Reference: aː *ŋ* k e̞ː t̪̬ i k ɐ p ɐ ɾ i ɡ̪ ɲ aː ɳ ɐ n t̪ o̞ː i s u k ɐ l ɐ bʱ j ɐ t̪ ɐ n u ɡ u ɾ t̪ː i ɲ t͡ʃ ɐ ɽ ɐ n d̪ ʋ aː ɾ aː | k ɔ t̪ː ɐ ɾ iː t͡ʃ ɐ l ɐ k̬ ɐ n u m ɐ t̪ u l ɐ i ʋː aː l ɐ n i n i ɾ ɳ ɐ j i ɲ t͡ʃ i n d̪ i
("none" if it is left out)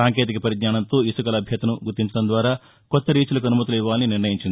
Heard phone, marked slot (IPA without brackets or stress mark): ŋ